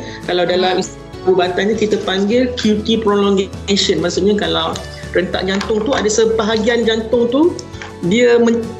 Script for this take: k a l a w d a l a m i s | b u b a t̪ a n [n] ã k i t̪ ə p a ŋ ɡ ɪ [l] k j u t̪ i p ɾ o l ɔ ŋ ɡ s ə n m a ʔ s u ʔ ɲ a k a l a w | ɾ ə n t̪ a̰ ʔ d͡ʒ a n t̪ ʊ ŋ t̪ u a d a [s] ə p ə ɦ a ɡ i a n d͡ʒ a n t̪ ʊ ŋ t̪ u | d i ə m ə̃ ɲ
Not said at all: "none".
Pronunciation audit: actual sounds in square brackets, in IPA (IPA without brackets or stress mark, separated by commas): ɲ, l, s